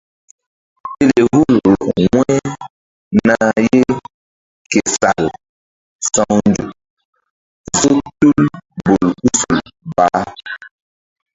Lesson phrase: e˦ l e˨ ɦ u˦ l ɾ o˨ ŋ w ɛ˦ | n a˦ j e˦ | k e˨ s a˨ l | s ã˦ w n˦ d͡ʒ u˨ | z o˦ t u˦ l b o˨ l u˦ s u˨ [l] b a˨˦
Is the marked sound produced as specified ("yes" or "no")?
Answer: yes